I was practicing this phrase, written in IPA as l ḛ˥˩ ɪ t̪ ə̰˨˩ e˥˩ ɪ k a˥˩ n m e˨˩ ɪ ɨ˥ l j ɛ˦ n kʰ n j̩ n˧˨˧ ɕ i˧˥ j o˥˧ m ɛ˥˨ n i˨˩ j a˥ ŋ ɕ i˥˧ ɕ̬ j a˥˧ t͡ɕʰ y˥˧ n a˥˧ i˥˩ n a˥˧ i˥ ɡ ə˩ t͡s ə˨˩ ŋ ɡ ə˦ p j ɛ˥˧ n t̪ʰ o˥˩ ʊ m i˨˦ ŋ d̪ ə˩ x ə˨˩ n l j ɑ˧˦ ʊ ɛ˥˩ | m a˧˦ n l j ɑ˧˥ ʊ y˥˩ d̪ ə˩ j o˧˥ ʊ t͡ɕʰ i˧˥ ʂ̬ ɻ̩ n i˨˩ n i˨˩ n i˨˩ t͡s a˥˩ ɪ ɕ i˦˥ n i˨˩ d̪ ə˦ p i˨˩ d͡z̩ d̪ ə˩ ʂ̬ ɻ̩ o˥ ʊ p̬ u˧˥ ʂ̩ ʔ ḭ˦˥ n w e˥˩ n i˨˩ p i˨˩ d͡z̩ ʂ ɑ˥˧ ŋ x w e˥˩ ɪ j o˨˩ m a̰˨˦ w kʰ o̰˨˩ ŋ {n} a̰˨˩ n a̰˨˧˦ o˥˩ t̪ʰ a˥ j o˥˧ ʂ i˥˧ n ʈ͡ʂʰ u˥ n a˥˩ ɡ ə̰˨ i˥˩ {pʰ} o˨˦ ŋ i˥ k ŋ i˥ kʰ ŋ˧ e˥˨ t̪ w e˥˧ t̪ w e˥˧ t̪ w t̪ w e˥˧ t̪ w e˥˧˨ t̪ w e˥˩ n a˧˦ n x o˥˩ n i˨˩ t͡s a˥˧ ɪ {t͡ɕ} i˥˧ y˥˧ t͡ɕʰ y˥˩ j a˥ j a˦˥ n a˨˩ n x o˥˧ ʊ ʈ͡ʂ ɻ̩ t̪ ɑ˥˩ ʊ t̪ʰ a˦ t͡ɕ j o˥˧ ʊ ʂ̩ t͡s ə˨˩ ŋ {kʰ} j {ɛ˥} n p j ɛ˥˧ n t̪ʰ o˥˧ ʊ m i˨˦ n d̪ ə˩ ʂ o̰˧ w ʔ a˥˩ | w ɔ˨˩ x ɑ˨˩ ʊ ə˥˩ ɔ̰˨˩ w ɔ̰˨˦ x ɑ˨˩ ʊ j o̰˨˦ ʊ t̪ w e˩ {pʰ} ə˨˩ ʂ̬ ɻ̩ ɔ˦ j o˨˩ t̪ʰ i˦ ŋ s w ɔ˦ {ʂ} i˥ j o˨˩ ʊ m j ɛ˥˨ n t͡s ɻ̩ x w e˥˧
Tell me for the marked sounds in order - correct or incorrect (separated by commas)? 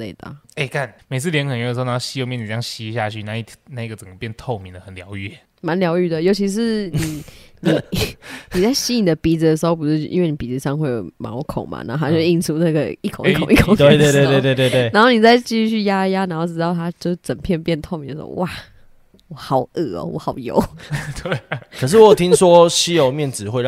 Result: incorrect, incorrect, correct, incorrect, incorrect, incorrect, incorrect